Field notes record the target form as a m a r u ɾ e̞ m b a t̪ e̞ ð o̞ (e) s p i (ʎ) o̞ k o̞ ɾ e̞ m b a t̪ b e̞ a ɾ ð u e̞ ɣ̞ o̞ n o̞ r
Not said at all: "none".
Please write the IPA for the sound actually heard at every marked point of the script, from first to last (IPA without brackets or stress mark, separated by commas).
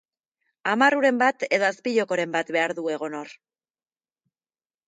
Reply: a, ʎ